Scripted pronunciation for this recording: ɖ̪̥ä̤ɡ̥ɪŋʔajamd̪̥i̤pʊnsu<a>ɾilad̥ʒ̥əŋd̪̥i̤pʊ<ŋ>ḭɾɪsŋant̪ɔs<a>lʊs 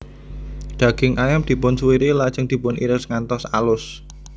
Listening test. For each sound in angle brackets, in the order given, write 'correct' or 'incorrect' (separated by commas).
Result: incorrect, incorrect, correct